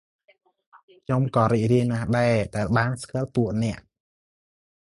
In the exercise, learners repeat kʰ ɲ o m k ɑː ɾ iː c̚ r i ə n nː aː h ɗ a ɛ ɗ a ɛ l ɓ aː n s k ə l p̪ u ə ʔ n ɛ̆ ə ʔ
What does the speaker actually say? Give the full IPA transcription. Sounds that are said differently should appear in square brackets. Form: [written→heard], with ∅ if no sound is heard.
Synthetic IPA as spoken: kʰ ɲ o m k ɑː ɾ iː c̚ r i ə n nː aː h ɗ a ɛ ɗ a ɛ l ɓ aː n s k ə l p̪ u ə ʔ n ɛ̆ ə ʔ